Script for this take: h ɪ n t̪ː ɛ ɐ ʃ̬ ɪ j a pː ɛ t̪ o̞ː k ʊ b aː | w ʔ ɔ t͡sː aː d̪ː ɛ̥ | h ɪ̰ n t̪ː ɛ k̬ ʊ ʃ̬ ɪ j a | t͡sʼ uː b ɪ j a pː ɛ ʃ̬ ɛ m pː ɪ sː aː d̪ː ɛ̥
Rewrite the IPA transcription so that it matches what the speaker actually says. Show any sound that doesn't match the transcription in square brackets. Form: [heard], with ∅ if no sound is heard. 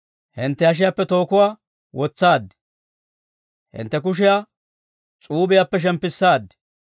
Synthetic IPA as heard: h ɪ n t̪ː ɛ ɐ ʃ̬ ɪ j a pː ɛ t̪ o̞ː k ʊ [w] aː | w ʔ ɔ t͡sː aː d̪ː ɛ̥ | h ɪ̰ n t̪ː ɛ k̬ ʊ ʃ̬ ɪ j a | t͡sʼ uː b ɪ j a pː ɛ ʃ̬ ɛ m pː ɪ sː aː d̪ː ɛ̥